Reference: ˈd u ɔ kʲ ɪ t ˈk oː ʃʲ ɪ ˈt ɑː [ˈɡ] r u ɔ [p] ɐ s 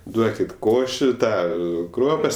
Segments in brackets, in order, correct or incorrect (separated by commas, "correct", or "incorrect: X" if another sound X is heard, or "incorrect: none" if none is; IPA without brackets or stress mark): incorrect: k, correct